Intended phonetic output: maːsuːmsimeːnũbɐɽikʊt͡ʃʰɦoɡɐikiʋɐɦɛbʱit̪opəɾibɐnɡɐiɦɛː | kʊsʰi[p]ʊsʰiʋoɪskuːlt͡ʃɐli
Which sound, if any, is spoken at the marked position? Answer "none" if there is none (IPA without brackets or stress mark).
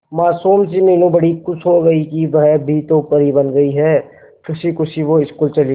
k